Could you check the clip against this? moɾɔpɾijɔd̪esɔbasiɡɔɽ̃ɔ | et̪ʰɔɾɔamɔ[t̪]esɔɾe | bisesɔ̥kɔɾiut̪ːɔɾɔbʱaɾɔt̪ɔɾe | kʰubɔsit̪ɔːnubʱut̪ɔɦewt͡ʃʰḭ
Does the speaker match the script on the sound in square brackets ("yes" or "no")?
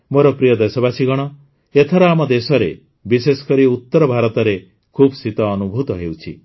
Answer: no